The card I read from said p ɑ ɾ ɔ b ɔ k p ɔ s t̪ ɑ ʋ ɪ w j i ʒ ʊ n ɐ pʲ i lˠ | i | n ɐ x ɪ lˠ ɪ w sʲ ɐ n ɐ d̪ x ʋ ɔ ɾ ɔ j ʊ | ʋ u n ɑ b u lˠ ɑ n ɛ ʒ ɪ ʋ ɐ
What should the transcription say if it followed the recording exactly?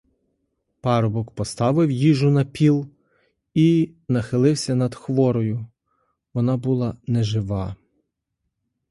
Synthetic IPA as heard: p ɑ ɾ ɔ b ɔ k p ɔ s t̪ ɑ ʋ ɪ w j i ʒ ʊ n ɐ pʲ i lˠ | i | n ɐ x ɪ lˠ ɪ w sʲ ɐ n ɐ d̪ x ʋ ɔ ɾ ɔ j ʊ | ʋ ɔ n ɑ b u lˠ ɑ n ɛ ʒ ɪ ʋ ɑ